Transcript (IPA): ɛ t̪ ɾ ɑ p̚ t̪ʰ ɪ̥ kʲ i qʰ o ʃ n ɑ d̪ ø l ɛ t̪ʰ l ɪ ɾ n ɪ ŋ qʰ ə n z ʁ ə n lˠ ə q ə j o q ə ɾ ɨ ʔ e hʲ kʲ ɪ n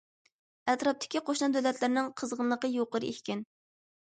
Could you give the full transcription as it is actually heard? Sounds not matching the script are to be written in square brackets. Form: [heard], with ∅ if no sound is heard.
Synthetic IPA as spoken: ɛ t̪ ɾ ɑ p̚ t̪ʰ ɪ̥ kʲ i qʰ o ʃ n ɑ d̪ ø l ɛ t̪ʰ l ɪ ɾ n ɪ ŋ qʰ ə [∅] z ʁ ə n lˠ ə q ə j o q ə ɾ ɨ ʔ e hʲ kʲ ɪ n